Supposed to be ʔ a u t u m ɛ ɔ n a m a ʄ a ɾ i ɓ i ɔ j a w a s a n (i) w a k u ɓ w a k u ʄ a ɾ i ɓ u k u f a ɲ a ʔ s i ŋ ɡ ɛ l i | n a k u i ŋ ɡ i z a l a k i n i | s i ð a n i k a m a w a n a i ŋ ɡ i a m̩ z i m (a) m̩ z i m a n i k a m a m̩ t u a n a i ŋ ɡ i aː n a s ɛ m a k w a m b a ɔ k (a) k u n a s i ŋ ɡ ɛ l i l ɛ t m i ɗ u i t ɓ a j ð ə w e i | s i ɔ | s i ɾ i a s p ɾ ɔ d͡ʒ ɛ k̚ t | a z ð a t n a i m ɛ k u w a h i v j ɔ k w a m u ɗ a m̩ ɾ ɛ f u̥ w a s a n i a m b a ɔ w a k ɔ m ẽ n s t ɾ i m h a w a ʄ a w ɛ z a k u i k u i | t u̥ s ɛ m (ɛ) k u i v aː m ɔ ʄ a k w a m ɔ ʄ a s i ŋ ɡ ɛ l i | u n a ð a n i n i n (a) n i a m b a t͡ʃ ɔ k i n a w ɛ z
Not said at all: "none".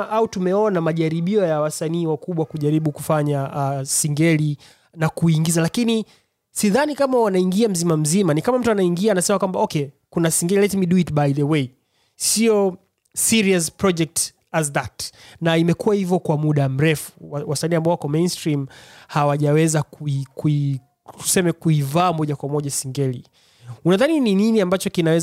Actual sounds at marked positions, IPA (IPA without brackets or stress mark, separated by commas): iː, a, ɛ, ɛ, i